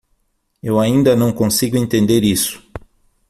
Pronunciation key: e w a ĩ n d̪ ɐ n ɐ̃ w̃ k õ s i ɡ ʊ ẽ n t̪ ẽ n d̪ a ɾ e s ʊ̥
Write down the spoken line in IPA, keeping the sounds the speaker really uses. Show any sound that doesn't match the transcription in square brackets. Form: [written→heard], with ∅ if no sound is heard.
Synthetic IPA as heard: e w a ĩ n d̪ ɐ n ɐ̃ w̃ k õ s i ɡ ʊ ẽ n t̪ ẽ n d̪ [a→e] ɾ [e→i] s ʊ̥

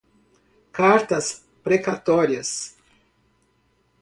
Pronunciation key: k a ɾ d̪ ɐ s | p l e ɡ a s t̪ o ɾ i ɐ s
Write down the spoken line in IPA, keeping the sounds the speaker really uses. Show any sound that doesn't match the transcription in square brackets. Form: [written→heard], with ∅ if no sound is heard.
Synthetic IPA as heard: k a ɾ [d̪→t̪] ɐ s | p [l→ɾ] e [ɡ→k] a [s→∅] t̪ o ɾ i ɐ s

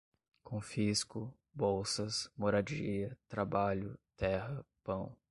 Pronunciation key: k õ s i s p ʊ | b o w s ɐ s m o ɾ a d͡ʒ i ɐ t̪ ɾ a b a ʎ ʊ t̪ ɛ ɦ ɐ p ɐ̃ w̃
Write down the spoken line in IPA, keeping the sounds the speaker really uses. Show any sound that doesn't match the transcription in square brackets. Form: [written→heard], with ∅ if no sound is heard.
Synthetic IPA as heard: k õ [s→f] i s [p→k] ʊ | b o w s ɐ s m o ɾ a d͡ʒ i ɐ t̪ ɾ a b a ʎ ʊ t̪ ɛ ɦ ɐ p ɐ̃ w̃

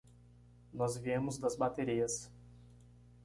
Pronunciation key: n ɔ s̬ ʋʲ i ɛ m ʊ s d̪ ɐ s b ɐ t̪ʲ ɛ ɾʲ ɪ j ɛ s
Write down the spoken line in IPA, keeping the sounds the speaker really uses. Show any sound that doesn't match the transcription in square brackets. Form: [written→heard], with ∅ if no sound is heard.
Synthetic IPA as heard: n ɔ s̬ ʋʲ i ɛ m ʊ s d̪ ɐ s b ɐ t̪ʲ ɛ ɾʲ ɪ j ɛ s

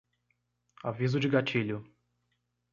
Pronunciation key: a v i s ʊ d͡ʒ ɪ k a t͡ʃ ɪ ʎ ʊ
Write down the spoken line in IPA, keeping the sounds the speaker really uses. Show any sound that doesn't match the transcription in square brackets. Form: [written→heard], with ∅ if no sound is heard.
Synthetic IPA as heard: a v i [s→z] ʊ d͡ʒ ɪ [k→ɡ] a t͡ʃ [ɪ→i] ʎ ʊ

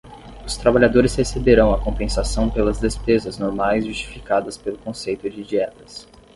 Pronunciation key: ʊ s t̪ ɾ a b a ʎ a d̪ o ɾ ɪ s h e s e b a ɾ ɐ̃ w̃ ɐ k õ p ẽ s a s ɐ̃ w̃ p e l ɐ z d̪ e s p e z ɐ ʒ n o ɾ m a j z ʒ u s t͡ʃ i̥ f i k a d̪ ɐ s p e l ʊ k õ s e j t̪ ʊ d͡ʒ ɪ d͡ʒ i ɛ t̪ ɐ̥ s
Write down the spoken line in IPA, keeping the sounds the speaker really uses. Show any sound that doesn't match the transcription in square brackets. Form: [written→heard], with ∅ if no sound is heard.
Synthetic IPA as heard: ʊ s t̪ ɾ a b a ʎ a d̪ o ɾ ɪ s h e s e b [a→e] ɾ ɐ̃ w̃ ɐ k õ p ẽ s a s ɐ̃ w̃ p e l ɐ z d̪ e s p e z ɐ [ʒ→z] n o ɾ m a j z ʒ u s t͡ʃ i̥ f i k a d̪ ɐ s p e l ʊ k õ s e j t̪ ʊ d͡ʒ ɪ d͡ʒ i ɛ t̪ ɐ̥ s

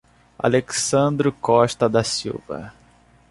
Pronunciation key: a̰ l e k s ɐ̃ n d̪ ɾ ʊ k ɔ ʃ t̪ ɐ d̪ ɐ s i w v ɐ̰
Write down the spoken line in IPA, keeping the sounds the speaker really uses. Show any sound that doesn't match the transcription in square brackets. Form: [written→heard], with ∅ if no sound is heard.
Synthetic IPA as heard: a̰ l e k s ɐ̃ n d̪ ɾ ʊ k ɔ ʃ t̪ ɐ d̪ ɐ s i w v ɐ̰

